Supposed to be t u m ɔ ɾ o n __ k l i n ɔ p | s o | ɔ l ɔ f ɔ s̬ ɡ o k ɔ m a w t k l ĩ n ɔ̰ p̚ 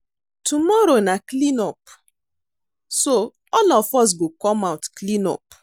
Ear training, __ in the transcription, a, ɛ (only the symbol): a